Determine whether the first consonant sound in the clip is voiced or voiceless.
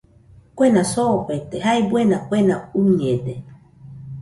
voiceless